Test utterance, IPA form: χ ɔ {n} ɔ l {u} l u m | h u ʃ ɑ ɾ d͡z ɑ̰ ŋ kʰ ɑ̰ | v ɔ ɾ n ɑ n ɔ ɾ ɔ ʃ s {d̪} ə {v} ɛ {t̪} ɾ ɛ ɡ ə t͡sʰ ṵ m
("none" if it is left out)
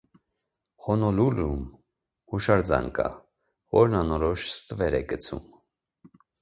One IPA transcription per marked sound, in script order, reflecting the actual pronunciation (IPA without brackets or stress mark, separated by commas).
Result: n, u, t̪, v, none